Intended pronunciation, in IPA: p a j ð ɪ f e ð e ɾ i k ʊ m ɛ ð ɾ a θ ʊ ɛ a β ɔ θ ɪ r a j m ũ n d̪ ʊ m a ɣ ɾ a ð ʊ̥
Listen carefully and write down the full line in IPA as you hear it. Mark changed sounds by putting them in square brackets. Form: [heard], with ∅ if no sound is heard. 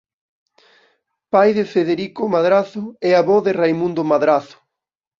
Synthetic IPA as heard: p a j ð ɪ f e ð e ɾ i k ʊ m [a] ð ɾ a θ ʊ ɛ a β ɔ [ð] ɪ r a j m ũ n d̪ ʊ m a [ð] ɾ a [θ] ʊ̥